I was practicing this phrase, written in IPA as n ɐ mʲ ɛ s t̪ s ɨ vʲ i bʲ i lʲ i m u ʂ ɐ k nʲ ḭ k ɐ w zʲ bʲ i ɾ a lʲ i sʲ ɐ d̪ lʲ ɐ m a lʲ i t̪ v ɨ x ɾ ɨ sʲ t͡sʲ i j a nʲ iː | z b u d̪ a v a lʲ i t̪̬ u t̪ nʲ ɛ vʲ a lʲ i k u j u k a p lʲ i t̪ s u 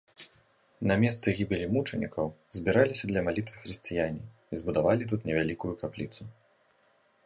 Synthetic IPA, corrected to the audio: n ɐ mʲ ɛ s t̪ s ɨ ɣʲ i bʲ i lʲ i m u t͡ʂ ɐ nʲ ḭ k ɐ w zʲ bʲ i ɾ a lʲ i sʲ ɐ d̪ lʲ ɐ m a lʲ i t̪ v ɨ x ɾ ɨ sʲ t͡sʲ i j a nʲ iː | z b u d̪ a v a lʲ i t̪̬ u t̪ nʲ ɛ vʲ a lʲ i k u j u k a p lʲ i t̪ s u